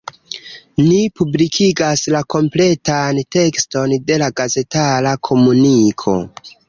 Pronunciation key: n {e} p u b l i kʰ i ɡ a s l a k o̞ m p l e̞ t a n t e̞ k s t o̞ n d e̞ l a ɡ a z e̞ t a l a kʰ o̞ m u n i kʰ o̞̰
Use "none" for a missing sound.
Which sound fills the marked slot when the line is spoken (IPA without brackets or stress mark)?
i